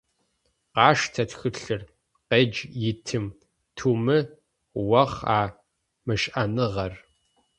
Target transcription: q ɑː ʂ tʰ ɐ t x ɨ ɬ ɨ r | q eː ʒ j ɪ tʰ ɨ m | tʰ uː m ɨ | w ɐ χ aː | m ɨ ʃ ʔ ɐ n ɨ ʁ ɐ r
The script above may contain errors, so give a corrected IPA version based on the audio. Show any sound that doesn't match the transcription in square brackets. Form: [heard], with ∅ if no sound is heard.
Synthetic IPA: q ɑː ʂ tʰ ɐ t x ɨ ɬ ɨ r | q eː [d͡ʒ] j ɪ tʰ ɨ m | tʰ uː m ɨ | w ɐ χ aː | m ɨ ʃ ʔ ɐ n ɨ ʁ ɐ r

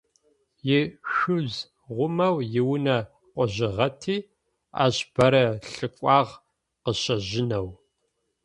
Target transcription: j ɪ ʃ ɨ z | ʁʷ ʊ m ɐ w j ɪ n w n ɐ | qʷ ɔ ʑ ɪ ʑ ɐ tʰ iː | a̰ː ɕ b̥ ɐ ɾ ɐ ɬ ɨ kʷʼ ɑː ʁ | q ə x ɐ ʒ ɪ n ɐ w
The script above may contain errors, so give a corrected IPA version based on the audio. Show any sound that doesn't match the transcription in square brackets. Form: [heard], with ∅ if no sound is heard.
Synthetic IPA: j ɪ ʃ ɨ z | ʁʷ ʊ m ɐ w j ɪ [∅] w n ɐ | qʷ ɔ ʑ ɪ [ʁ] ɐ tʰ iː | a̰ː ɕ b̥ ɐ ɾ ɐ ɬ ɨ kʷʼ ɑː ʁ | q ə [ɕ] ɐ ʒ ɪ n ɐ w

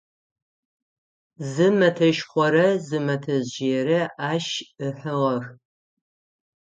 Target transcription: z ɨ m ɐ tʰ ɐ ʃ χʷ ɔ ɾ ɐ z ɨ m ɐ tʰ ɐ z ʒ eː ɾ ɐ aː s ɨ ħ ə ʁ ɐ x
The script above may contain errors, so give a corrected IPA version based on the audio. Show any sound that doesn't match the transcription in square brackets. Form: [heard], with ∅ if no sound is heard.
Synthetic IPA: z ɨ m ɐ tʰ ɐ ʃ χʷ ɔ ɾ ɐ z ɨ m ɐ tʰ ɐ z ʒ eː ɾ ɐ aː [ʃ] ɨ ħ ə ʁ ɐ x

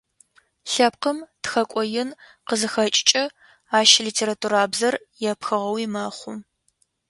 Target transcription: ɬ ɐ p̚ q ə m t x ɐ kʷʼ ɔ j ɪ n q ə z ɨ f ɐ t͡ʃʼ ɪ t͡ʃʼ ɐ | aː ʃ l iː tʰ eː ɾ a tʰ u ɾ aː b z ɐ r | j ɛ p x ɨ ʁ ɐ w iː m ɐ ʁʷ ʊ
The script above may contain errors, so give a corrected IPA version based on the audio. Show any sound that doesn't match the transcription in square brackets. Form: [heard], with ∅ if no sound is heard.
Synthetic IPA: ɬ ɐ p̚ q ə m t x ɐ kʷʼ ɔ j ɪ n q ə z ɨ [x] ɐ t͡ʃʼ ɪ t͡ʃʼ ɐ | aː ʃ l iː tʰ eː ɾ a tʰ u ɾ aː b z ɐ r | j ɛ p x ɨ ʁ ɐ w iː m ɐ [χʷ] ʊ

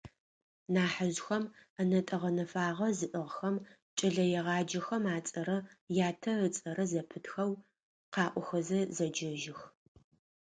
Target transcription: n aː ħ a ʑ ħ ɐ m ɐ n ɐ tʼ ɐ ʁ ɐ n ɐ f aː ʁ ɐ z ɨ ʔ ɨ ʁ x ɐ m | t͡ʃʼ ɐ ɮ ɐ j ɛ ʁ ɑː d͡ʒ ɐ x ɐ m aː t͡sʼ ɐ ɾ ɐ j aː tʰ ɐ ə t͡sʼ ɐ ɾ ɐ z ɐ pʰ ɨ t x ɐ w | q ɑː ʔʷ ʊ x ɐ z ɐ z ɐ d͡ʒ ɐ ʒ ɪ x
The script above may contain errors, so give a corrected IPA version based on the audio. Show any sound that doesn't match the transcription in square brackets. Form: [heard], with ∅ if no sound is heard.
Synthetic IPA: n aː ħ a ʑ [x] ɐ m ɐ n ɐ tʼ ɐ ʁ ɐ n ɐ f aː ʁ ɐ z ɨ ʔ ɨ ʁ x ɐ m | t͡ʃʼ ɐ ɮ ɐ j ɛ ʁ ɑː d͡ʒ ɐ x ɐ m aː t͡sʼ ɐ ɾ ɐ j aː tʰ ɐ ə t͡sʼ ɐ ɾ ɐ z ɐ pʰ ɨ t x ɐ w | q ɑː ʔʷ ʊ x ɐ z ɐ z ɐ d͡ʒ ɐ ʒ ɪ x

